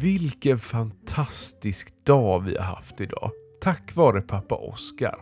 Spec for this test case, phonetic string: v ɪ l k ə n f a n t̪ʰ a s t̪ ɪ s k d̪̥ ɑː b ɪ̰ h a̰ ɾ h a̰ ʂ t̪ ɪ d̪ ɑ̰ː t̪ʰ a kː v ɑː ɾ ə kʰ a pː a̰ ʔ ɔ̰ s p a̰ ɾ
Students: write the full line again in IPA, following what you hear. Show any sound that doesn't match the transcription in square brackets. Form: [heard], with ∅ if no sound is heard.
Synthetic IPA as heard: v ɪ l k ə n f a n t̪ʰ a s t̪ ɪ s k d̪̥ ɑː [v] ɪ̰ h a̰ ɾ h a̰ [f] t̪ ɪ d̪ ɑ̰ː t̪ʰ a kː v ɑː ɾ ə [pʰ] a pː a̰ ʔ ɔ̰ s [k] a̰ ɾ